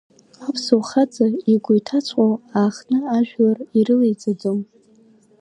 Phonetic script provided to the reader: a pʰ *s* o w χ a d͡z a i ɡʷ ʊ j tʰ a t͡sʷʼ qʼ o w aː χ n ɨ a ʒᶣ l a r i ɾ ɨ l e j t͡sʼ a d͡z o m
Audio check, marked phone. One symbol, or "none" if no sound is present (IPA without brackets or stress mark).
s